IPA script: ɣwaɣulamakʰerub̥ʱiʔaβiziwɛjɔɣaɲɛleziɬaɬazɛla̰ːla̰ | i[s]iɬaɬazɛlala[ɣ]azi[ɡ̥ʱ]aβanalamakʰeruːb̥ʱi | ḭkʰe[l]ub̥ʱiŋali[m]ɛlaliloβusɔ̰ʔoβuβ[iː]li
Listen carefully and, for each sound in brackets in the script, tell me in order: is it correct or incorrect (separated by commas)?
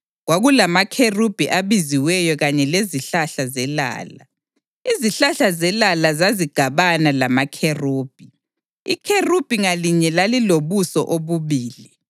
incorrect, incorrect, correct, incorrect, incorrect, correct